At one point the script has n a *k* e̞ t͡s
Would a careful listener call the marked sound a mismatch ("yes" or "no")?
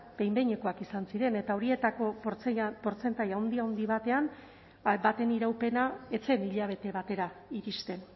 yes